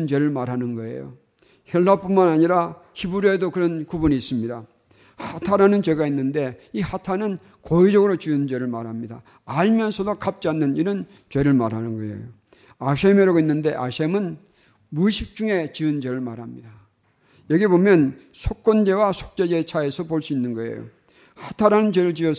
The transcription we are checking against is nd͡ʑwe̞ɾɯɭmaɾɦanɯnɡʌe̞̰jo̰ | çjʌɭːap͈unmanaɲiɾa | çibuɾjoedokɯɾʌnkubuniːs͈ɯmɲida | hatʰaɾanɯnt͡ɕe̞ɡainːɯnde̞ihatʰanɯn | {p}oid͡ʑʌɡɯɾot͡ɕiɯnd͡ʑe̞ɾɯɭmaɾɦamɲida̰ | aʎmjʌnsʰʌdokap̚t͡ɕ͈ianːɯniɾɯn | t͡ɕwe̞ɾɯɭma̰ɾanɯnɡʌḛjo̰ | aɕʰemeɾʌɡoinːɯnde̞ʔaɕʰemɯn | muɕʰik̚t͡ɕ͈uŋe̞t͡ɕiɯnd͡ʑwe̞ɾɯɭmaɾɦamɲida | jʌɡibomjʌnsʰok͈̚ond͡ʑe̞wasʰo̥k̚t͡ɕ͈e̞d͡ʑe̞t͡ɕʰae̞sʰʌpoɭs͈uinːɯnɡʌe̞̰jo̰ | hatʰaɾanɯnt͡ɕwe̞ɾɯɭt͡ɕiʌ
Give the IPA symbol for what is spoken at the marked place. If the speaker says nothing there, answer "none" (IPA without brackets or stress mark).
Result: k